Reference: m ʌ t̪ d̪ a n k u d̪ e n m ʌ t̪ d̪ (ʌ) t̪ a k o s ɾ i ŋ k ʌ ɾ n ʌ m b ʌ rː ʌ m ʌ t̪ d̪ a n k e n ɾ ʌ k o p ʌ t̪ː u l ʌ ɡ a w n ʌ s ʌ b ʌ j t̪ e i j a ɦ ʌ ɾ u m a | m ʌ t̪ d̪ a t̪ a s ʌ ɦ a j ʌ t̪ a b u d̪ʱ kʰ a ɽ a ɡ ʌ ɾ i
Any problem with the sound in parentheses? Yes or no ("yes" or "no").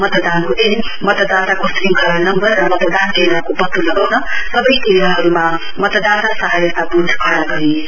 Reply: yes